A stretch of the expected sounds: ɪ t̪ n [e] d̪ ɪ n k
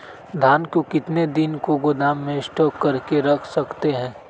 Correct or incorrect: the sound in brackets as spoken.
correct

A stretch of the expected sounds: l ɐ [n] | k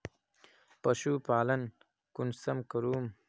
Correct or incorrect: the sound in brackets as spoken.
correct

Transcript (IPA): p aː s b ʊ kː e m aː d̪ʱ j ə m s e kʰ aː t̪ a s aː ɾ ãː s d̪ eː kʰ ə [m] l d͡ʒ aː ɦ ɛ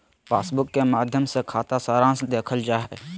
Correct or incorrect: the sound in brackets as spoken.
incorrect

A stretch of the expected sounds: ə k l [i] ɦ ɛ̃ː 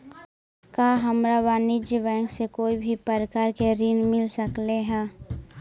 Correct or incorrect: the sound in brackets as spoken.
incorrect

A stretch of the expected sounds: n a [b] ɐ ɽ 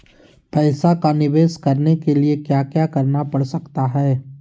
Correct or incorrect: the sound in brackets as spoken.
incorrect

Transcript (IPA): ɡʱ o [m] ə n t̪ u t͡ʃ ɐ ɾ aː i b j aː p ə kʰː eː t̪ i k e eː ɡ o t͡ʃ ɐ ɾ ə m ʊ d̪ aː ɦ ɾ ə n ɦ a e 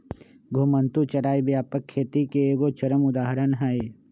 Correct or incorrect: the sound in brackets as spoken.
correct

